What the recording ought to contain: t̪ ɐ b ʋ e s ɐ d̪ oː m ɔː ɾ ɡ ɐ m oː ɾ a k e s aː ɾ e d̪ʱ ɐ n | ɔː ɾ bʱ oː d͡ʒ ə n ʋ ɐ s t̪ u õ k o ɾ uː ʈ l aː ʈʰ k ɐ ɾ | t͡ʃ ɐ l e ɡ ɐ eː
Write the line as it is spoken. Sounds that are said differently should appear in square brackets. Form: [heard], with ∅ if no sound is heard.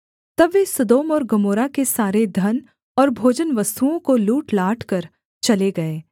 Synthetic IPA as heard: t̪ ɐ b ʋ e s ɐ d̪ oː m ɔː ɾ ɡ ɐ m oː ɾ a k e s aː ɾ e d̪ʱ ɐ n | ɔː ɾ bʱ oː d͡ʒ ə n ʋ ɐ s t̪ u õ k o [l] uː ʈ l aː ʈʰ k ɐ ɾ | t͡ʃ ɐ l e ɡ ɐ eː